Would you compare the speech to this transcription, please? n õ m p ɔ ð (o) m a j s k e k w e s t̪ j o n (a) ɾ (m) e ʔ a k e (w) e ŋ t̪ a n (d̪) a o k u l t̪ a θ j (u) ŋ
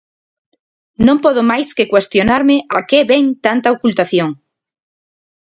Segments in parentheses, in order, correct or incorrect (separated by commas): correct, correct, correct, incorrect, incorrect, incorrect